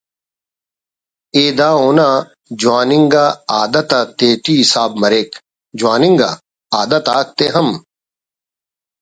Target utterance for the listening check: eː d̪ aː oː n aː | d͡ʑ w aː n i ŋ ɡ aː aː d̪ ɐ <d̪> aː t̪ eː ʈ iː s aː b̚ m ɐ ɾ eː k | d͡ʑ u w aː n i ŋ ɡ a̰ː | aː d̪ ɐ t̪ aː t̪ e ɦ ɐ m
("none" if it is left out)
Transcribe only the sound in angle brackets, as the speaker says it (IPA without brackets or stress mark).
t̪